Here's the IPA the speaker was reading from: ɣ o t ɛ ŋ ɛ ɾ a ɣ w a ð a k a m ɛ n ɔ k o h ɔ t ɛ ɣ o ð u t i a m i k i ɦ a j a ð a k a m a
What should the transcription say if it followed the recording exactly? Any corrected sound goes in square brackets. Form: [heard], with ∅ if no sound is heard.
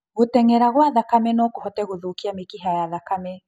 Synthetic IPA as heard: ɣ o t ɛ ŋ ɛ ɾ a ɣ w a ð a k a m ɛ n ɔ k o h ɔ t ɛ ɣ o ð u [k] i a m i k i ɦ a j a ð a k a m [ɛ]